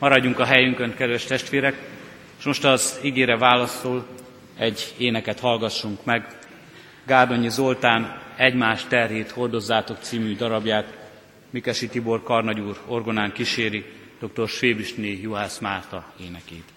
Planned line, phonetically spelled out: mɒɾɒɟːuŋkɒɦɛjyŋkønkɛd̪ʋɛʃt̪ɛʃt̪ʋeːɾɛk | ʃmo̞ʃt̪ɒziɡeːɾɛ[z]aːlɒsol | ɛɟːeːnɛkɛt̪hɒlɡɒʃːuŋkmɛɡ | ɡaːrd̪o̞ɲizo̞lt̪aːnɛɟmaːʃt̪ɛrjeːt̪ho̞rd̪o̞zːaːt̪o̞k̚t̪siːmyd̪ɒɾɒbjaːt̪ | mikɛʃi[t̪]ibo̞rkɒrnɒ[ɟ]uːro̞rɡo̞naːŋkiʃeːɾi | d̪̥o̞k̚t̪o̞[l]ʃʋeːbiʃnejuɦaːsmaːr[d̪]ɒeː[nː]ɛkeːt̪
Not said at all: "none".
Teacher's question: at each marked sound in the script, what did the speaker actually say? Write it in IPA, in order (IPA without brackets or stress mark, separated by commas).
v, t̪, ɟ, r, t̪, n